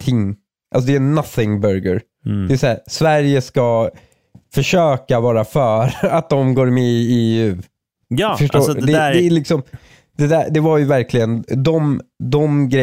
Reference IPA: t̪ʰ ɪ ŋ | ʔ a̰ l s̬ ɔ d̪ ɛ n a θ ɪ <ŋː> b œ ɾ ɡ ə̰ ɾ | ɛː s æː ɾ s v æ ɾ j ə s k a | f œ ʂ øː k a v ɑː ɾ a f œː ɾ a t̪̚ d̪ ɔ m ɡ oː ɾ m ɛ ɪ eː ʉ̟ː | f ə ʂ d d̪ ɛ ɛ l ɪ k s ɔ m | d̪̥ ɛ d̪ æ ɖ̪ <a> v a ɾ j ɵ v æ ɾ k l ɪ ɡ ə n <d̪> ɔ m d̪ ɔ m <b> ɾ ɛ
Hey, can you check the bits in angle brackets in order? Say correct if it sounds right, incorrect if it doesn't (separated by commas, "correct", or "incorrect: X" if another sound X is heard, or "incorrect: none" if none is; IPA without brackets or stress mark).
incorrect: ŋ, incorrect: ɛ, correct, incorrect: ɡ